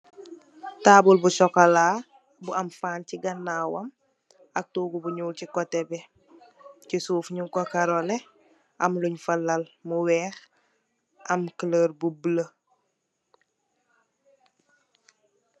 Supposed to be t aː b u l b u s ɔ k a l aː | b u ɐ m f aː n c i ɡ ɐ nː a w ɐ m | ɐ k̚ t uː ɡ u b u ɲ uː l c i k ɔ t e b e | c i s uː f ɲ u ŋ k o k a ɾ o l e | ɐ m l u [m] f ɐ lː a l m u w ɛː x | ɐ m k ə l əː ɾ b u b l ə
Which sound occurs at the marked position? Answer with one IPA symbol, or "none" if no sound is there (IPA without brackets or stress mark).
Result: ɲ